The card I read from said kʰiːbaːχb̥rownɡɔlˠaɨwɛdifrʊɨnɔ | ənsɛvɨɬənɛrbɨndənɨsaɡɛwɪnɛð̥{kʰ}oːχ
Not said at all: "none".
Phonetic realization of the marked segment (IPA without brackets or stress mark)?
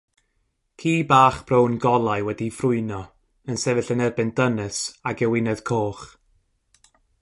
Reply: kʰ